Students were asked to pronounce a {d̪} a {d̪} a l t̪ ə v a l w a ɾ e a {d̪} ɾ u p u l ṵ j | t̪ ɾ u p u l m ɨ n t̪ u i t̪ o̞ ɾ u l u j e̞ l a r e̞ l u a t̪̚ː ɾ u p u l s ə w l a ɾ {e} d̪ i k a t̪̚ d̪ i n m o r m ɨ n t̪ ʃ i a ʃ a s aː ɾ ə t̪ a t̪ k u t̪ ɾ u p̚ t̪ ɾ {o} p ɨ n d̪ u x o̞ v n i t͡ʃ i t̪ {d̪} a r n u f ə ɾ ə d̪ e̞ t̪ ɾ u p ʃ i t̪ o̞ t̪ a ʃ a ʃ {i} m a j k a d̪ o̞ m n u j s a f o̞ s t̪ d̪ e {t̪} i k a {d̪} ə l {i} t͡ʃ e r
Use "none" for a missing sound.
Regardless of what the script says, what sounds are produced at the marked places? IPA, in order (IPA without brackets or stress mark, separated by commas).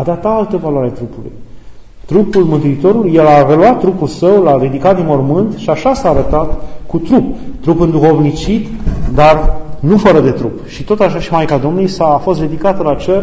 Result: d̪, t̪, t̪, i, u, d̪, i, d̪, t̪, a